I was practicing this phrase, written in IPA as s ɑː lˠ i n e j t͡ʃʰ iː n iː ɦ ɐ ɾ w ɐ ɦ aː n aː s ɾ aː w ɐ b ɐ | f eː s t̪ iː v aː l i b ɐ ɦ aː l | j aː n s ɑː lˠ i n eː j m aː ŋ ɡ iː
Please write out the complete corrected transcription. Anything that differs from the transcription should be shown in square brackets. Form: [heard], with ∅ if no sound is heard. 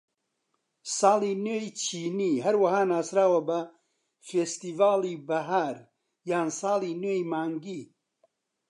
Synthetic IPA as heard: s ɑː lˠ i n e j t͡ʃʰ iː n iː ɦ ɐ ɾ w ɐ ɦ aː n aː s ɾ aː w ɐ b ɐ | f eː s t̪ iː v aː l i b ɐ ɦ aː [ɾ] | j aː n s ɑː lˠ i n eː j m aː ŋ ɡ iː

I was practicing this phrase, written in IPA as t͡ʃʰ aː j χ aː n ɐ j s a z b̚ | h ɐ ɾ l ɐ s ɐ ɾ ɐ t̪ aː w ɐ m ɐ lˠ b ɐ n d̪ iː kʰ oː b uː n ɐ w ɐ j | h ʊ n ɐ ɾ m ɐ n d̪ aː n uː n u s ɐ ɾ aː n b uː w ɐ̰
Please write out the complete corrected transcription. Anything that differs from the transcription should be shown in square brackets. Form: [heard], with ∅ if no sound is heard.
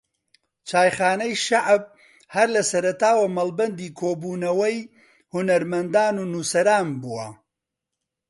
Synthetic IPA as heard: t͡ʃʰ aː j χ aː n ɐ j [ʃ] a [ʕ] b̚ | h ɐ ɾ l ɐ s ɐ ɾ ɐ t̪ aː w ɐ m ɐ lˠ b ɐ n d̪ iː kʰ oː b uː n ɐ w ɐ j | h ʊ n ɐ ɾ m ɐ n d̪ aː n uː n u s ɐ ɾ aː n b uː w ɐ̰

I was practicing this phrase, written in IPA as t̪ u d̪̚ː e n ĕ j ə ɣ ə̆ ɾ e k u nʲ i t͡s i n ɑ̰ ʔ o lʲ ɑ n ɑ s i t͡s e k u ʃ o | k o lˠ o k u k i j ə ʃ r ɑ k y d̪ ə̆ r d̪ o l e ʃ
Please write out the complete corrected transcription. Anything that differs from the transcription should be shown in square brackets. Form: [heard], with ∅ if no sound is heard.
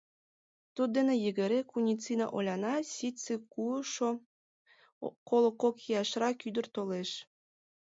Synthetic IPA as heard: t̪ u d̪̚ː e n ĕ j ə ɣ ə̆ ɾ e k u nʲ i t͡s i n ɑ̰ ʔ o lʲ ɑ n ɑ s i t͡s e k u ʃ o | k o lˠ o k [o] k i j [ɑ] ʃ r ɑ k y d̪ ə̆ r [t̪] o l e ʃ

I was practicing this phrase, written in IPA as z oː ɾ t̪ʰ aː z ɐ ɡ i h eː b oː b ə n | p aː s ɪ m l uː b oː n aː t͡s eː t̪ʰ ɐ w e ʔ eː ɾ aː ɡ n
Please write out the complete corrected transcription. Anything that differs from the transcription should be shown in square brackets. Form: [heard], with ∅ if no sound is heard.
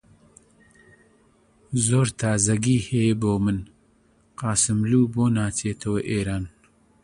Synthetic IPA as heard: z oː ɾ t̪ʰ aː z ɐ ɡ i h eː b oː [m] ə n | [q] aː s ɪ m l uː b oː n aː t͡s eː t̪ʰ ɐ w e ʔ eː ɾ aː [∅] n

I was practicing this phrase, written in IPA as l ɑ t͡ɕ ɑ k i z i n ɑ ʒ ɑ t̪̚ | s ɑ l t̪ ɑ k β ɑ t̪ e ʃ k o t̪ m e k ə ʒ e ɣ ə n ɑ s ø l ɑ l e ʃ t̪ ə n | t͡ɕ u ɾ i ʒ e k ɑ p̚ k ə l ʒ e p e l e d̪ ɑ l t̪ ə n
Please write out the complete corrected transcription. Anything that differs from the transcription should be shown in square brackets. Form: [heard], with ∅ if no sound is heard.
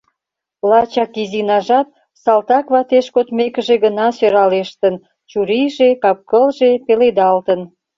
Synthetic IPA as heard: l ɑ t͡ɕ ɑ k i z i n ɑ ʒ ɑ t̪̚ | s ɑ l t̪ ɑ k β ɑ t̪ e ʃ k o t̪ m e k ə ʒ e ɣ ə n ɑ s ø [ɾ] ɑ l e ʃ t̪ ə n | t͡ɕ u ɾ i ʒ e k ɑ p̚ k ə l ʒ e p e l e d̪ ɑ l t̪ ə n

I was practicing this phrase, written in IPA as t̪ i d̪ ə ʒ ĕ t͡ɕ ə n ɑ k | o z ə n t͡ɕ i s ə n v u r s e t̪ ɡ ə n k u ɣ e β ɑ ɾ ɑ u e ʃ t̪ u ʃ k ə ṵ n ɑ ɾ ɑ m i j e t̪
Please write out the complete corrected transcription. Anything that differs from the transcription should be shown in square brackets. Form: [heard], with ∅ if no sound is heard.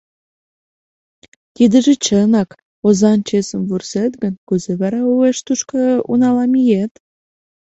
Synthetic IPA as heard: t̪ i d̪ ə ʒ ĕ t͡ɕ ə n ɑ k | o z [ɑ] n t͡ɕ [e] s ə [m] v u r s e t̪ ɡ ə n k u [z] e β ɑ ɾ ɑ u e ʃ t̪ u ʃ k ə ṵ n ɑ [l] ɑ m i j e t̪

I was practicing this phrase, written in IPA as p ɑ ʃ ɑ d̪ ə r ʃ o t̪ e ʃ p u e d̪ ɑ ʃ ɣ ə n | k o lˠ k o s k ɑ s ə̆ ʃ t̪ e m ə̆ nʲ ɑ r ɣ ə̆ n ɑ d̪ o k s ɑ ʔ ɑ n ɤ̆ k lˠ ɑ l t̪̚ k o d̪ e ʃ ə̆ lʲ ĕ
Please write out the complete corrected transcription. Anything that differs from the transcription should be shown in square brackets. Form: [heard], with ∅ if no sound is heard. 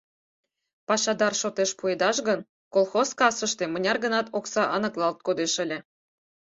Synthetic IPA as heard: p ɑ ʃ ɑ d̪ [ɑ] r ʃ o t̪ e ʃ p u e d̪ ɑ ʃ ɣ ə n | k o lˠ [x] o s k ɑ s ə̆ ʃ t̪ e m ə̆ nʲ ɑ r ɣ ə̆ n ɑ [t̪] o k s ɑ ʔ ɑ n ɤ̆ k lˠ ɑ l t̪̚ k o d̪ e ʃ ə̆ lʲ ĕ

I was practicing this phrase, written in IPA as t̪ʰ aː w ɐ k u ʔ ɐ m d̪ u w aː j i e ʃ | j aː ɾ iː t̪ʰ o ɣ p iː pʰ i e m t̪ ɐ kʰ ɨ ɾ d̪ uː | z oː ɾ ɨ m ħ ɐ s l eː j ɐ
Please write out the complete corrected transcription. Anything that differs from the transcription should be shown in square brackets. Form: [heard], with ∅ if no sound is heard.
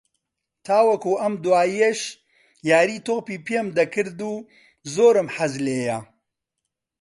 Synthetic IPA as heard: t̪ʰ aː w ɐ k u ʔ ɐ m d̪ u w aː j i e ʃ | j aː ɾ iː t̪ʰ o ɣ p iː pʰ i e m [d̪] ɐ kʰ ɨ ɾ d̪ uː | z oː ɾ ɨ m ħ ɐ [z] l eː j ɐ

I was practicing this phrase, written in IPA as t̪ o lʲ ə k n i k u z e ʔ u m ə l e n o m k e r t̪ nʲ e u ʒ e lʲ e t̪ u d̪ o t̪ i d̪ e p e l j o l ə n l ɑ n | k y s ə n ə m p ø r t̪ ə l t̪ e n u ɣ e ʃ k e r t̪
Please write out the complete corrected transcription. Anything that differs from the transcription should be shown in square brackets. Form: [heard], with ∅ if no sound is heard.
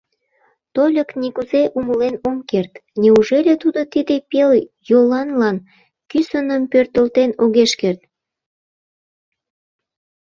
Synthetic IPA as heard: t̪ o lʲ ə k n i k u z e ʔ u m ə l e n o m k e r t̪ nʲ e u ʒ e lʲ e t̪ u d̪ o t̪ i d̪ e p e l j o l [ɑ] n l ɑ n | k y s ə n ə m p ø r t̪ ə l t̪ e n [o] ɣ e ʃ k e r t̪

